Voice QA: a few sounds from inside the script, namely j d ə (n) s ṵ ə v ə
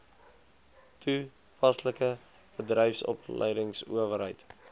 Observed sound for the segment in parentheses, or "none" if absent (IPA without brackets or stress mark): ŋ